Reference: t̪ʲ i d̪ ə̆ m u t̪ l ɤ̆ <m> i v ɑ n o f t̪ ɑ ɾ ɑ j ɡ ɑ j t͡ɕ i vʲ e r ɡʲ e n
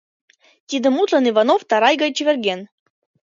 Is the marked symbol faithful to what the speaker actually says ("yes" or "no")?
no